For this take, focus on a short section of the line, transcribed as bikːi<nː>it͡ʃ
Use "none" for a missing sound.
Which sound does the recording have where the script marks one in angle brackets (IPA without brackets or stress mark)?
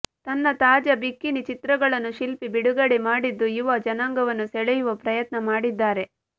n